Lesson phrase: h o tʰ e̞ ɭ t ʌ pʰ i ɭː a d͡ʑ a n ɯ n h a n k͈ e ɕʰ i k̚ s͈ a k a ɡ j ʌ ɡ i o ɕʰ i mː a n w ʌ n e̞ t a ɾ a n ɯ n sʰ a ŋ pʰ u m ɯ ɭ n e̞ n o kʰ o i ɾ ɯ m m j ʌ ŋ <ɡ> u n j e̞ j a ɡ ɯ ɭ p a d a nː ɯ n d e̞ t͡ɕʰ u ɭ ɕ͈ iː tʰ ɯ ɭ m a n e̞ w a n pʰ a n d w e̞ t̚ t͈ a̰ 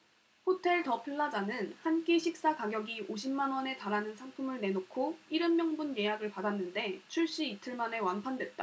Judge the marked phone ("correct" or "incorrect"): incorrect